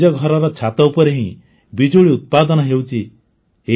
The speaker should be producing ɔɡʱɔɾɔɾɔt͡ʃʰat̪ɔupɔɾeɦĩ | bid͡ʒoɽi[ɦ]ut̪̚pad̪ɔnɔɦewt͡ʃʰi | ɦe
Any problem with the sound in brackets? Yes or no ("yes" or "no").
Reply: yes